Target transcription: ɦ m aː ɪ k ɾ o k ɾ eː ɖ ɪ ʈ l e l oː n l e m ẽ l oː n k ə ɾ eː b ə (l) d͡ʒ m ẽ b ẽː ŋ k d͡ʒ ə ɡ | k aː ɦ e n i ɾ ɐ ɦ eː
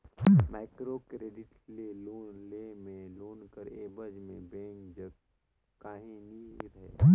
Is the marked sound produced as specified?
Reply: no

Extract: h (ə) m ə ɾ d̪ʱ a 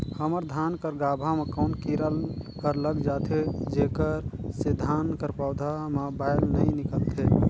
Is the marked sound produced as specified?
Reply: yes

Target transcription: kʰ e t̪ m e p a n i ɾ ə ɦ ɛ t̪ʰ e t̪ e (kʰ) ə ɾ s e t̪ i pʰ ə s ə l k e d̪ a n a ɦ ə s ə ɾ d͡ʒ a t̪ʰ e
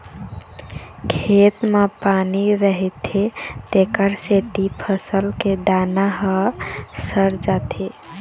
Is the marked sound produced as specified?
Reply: no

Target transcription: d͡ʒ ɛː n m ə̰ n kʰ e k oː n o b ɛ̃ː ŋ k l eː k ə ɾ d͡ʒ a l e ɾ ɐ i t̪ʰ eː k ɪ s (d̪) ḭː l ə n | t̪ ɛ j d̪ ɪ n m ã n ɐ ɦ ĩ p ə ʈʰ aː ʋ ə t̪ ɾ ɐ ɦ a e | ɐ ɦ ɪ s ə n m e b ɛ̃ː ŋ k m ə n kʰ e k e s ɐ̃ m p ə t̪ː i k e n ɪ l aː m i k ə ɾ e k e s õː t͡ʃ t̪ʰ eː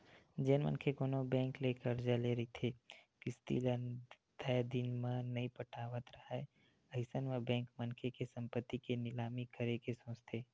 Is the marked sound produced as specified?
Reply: no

